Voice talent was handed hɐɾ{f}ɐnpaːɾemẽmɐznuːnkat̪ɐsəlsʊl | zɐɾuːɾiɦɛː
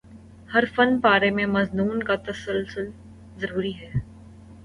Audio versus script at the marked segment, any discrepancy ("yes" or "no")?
no